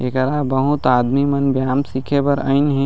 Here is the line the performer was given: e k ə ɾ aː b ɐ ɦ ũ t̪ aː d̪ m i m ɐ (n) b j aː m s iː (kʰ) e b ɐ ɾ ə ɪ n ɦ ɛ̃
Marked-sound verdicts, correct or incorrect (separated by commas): correct, correct